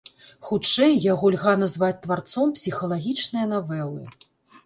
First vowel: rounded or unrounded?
rounded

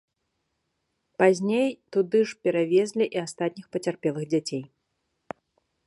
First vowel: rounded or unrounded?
unrounded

